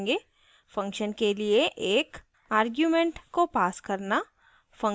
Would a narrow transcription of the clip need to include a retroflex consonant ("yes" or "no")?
yes